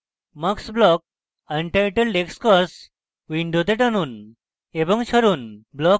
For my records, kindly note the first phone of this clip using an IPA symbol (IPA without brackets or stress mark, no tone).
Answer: m